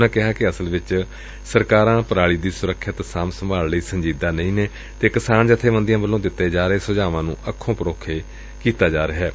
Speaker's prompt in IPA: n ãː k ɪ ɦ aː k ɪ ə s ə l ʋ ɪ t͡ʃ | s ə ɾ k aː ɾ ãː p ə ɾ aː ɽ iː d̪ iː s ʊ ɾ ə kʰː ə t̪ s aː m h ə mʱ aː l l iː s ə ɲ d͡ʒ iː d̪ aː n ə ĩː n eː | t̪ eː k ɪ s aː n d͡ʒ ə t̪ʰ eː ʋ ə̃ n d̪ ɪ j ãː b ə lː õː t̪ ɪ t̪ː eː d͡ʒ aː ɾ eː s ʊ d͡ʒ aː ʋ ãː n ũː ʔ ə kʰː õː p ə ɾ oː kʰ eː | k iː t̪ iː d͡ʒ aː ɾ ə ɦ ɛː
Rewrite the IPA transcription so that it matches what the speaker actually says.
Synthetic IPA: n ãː k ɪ ɦ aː k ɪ ə s ə l ʋ ɪ t͡ʃ | s ə ɾ k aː ɾ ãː p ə ɾ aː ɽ iː d̪ iː s ʊ ɾ ə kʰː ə t̪ s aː m s ə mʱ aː l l iː s ə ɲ d͡ʒ iː d̪ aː n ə ĩː n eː | t̪ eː k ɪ s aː n d͡ʒ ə t̪ʰ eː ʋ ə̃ n d̪ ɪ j ãː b ə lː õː d̪ ɪ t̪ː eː d͡ʒ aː ɾ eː s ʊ d͡ʒ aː ʋ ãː n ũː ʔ ə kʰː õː p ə ɾ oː kʰ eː | k iː t̪ aː d͡ʒ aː ɾ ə ɦ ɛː